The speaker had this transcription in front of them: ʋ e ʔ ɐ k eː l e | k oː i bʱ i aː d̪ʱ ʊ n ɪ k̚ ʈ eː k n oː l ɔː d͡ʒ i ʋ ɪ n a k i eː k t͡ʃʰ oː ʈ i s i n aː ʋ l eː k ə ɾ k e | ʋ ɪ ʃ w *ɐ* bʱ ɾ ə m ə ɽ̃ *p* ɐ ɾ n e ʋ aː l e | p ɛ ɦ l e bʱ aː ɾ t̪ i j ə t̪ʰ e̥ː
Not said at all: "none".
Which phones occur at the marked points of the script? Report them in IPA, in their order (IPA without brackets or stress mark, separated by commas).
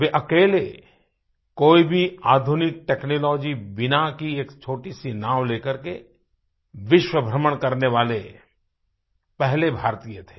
ə, k